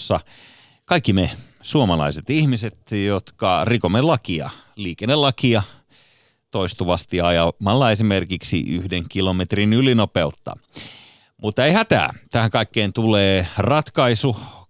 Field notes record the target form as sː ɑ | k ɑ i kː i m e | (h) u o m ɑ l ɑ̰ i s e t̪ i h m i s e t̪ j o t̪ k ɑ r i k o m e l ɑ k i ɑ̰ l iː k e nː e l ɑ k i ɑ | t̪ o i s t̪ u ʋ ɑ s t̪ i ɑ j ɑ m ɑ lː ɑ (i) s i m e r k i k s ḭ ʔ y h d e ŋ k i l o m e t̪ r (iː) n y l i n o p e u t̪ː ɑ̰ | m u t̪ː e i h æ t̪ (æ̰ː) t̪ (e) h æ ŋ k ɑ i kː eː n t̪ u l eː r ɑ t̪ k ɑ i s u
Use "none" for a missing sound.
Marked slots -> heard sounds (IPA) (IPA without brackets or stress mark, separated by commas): s, e, i, æ̰ː, æ